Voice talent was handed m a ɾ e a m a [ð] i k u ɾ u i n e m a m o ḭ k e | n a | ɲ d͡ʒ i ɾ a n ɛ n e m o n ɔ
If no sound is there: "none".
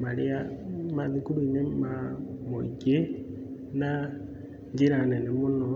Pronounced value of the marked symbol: ð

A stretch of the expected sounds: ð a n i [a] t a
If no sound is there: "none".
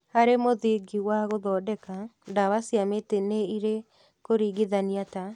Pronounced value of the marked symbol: a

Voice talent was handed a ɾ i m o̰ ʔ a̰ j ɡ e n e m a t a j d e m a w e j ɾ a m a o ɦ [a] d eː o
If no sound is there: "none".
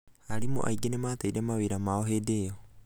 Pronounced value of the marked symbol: e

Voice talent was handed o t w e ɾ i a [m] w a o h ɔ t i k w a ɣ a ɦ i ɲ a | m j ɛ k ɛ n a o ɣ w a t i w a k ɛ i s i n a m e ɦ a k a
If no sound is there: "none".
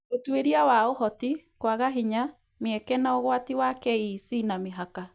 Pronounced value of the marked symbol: none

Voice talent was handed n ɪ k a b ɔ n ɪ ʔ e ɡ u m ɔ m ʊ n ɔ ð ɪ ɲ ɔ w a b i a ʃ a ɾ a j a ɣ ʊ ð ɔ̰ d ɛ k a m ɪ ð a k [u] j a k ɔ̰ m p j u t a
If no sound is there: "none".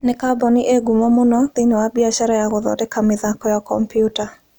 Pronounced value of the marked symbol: ɔ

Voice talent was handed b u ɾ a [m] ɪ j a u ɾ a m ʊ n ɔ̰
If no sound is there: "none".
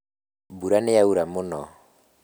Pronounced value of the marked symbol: n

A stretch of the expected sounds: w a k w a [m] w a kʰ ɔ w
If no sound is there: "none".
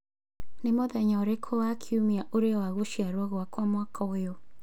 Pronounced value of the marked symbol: m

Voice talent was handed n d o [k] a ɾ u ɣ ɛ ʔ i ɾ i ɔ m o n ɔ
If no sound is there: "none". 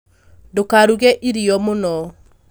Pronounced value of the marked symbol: k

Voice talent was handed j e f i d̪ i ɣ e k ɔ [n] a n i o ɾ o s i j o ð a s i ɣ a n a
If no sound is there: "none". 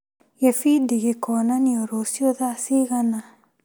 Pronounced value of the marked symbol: n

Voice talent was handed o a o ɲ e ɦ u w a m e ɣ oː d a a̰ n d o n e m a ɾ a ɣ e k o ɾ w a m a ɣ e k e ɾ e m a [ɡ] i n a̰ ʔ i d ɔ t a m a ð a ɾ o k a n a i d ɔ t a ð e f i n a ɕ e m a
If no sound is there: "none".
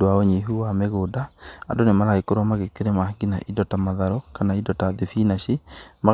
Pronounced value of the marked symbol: ɡ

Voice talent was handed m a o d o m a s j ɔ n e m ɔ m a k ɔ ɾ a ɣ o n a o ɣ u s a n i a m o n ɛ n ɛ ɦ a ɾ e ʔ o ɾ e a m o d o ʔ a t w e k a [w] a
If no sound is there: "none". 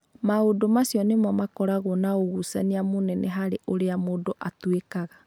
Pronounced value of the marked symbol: ɣ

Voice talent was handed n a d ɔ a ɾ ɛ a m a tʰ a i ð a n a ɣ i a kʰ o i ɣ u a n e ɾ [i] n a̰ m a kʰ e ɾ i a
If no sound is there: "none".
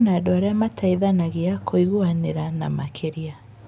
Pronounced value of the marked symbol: a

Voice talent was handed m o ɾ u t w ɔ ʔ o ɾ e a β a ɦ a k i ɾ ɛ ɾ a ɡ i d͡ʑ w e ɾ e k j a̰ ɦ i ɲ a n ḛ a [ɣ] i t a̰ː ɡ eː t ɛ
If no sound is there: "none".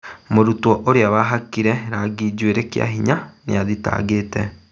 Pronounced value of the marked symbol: ð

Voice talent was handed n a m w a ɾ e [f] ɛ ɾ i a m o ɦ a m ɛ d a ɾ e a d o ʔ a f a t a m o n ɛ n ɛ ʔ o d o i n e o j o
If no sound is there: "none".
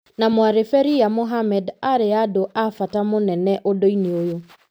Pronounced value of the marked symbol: f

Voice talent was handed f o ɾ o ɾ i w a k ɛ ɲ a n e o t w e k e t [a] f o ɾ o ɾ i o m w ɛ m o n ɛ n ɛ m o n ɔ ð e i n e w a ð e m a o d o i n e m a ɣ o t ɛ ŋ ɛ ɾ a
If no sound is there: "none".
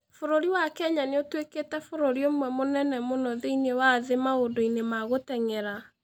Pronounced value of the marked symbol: ɛ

